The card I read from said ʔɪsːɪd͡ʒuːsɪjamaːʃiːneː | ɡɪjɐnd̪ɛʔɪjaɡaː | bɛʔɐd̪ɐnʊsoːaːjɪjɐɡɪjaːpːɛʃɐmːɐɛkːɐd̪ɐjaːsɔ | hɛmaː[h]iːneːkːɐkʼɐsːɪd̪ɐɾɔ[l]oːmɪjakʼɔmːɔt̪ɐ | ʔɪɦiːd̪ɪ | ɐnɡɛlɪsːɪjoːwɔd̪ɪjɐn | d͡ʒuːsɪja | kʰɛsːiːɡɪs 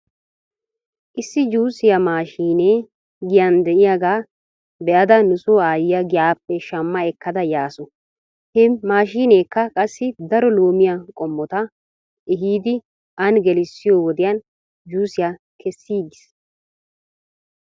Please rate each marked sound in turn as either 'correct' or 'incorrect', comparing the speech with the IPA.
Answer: incorrect: ʃ, correct

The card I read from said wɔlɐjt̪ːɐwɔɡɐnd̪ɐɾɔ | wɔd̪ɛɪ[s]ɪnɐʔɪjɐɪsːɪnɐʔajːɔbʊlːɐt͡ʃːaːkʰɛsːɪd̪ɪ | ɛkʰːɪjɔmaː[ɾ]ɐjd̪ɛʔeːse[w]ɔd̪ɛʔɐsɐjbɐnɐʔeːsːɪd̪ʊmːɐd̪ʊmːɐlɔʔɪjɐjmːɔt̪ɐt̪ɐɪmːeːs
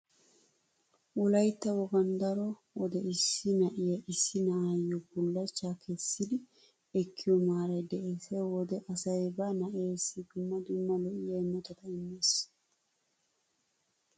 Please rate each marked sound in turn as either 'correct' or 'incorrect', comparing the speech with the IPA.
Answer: incorrect: sː, correct, correct

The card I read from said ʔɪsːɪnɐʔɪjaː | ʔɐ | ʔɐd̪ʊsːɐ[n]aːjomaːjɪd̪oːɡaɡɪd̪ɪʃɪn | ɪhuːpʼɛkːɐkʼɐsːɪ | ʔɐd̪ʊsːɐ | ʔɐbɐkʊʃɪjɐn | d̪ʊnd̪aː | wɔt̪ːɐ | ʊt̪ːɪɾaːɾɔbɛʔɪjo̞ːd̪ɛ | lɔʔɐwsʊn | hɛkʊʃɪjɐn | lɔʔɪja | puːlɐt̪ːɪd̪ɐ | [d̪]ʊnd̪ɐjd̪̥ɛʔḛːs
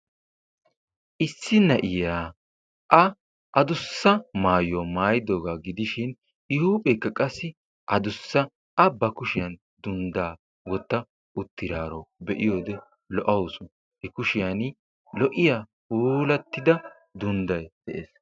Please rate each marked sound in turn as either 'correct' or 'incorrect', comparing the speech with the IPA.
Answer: incorrect: m, correct

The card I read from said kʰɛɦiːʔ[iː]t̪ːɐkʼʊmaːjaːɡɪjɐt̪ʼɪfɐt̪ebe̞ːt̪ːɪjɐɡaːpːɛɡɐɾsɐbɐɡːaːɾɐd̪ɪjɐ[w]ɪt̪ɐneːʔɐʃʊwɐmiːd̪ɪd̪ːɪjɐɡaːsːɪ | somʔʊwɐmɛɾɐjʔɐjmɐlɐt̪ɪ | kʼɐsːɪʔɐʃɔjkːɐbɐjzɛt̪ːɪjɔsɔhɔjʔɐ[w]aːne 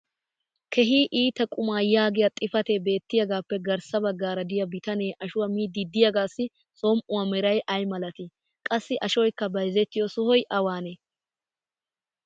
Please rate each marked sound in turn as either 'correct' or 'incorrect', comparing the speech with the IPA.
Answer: correct, incorrect: b, correct

